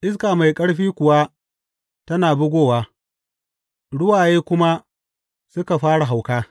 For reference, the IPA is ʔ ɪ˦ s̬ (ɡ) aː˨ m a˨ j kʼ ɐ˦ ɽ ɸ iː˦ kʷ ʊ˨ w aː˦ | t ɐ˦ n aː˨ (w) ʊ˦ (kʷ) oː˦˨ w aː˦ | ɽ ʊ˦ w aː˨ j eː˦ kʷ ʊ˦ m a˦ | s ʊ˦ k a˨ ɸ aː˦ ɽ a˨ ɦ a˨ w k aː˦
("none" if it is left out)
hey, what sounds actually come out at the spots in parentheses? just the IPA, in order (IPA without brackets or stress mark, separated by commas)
k, b, ɡʷ